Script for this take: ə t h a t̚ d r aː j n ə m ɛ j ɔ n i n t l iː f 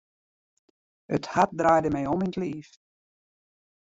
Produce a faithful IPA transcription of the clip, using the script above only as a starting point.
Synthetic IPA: ə t h a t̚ d r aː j d ə m ɛ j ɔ m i n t l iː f